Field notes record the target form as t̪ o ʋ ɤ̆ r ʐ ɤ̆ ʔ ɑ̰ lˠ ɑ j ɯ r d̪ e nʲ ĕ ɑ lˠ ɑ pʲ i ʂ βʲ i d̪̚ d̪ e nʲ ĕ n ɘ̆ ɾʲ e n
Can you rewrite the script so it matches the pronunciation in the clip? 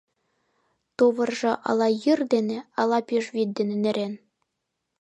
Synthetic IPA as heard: t̪ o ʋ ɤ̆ r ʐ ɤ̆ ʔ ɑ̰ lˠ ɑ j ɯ r d̪ e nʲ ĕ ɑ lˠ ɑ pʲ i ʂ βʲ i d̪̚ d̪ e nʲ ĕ n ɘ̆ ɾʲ e n